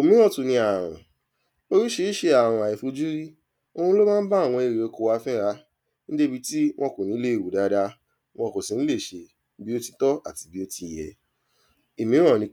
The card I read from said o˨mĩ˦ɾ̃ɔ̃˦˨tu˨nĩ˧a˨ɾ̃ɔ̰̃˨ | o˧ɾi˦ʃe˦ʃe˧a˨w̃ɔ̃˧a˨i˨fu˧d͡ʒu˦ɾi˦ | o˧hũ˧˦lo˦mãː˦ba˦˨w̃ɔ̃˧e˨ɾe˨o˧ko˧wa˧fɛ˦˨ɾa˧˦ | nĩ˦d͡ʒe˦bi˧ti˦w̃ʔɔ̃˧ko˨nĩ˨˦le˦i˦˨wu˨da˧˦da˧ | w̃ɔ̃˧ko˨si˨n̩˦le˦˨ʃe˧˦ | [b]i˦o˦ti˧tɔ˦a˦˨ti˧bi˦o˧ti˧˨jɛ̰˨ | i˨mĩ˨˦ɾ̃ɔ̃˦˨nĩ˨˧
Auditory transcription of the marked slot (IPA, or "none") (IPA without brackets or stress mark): b